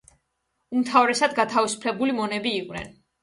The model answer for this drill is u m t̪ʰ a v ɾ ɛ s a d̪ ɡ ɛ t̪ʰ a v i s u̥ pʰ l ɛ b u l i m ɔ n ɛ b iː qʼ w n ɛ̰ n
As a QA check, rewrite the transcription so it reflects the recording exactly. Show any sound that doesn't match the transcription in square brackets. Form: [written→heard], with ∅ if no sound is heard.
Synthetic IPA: u m t̪ʰ a v ɾ ɛ s a d̪ ɡ [ɛ→a] t̪ʰ a v i s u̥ pʰ l ɛ b u l i m ɔ n ɛ b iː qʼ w n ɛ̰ n